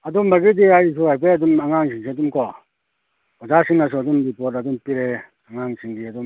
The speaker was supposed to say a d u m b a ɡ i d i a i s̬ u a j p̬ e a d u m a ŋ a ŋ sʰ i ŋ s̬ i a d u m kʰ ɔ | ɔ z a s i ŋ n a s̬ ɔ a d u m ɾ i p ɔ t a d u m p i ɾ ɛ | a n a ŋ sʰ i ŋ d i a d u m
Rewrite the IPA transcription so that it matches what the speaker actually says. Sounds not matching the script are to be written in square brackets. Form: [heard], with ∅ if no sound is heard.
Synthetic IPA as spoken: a d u m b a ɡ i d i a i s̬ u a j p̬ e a d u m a ŋ a ŋ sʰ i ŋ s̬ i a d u m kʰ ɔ | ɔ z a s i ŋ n a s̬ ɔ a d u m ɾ i p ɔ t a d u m p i ɾ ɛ | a [ŋ] a ŋ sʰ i ŋ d i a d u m

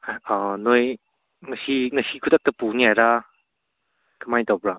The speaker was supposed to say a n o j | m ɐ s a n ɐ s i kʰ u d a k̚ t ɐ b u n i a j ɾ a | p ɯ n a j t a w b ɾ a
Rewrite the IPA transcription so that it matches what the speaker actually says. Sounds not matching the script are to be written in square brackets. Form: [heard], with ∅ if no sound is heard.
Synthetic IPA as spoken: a n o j | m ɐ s [i] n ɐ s i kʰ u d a k̚ t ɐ [p] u n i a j ɾ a | [k] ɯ [m] a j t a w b ɾ a

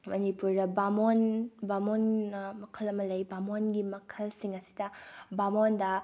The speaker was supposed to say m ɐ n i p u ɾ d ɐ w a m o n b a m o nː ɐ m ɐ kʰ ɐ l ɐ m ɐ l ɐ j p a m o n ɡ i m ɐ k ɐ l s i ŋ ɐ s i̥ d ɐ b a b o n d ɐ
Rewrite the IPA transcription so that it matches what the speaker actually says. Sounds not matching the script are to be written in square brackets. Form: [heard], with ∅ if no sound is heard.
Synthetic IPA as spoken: m ɐ n i p u ɾ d ɐ [b] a m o n b a m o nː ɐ m ɐ kʰ ɐ l ɐ m ɐ l ɐ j [b] a m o n ɡ i m ɐ [kʰ] ɐ l s i ŋ ɐ s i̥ d ɐ b a [m] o n d ɐ

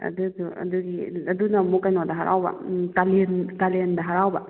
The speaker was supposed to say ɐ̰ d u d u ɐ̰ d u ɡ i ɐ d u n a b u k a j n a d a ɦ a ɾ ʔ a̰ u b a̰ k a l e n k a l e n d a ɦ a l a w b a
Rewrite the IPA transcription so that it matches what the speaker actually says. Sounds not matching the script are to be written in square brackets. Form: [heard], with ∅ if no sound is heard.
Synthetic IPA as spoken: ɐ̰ d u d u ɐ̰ d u ɡ i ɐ d u n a [m] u k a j n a d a ɦ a ɾ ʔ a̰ [w] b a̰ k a l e n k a l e n d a ɦ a [ɾ] a w b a

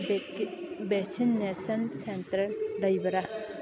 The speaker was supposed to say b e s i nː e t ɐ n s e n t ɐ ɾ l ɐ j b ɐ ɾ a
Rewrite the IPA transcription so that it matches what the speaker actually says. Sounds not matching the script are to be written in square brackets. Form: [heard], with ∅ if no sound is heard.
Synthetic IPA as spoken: b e s i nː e [s] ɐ n s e n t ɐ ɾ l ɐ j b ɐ ɾ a

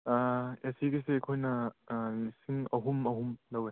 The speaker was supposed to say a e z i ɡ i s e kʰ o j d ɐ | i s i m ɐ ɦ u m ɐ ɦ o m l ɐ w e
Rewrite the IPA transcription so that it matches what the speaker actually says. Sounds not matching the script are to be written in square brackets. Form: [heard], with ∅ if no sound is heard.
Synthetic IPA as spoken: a e [s] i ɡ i s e kʰ o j [n] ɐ | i s i [ŋ] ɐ ɦ u m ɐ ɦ [u] m l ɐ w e

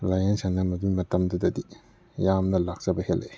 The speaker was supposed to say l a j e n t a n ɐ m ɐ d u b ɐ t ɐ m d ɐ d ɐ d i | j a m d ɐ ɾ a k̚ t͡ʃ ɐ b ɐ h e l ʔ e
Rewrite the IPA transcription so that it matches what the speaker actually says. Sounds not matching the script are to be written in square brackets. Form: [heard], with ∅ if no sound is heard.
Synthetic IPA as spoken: l a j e n [s] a n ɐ m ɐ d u [m] ɐ t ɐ m d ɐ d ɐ d i | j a m [n] ɐ [l] a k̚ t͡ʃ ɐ b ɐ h e l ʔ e

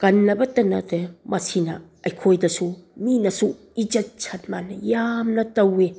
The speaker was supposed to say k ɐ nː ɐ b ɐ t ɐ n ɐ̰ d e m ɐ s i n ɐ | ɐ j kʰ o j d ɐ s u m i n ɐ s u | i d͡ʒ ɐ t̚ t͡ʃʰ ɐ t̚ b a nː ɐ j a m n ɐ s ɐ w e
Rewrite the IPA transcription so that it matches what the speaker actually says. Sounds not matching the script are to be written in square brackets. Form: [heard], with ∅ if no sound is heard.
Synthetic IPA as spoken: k ɐ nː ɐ b ɐ t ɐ n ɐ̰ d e m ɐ s i n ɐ | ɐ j kʰ o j d ɐ s u m i n ɐ s u | i d͡ʒ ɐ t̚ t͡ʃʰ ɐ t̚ [m] a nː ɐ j a m n ɐ [t] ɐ w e

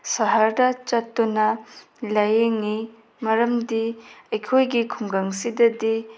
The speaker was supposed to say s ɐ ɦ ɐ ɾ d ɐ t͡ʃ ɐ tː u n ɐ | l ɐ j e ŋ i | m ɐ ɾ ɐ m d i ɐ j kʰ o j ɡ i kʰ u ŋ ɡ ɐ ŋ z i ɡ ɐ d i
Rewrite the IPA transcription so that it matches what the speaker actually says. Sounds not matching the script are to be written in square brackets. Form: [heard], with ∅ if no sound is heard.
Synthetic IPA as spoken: s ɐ ɦ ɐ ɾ d ɐ t͡ʃ ɐ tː u n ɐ | l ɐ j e ŋ i | m ɐ ɾ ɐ m d i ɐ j kʰ o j ɡ i kʰ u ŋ ɡ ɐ ŋ [s] i [d] ɐ d i

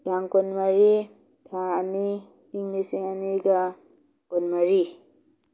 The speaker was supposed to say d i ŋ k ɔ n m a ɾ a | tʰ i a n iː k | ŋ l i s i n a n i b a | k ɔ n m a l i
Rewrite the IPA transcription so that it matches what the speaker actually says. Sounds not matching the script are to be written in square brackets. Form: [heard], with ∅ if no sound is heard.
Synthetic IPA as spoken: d [a] ŋ k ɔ n m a ɾ [i] | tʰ [a] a n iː [∅] | ŋ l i s i [ŋ] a n i [ɡ] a | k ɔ n m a [ɾ] i

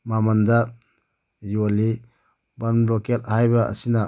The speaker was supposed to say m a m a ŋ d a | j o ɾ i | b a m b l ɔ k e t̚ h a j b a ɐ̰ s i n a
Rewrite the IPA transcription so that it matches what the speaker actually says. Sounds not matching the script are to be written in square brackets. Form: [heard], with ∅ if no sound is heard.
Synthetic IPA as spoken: m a m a [n] d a | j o [l] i | b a [n] b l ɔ k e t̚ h a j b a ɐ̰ s i n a

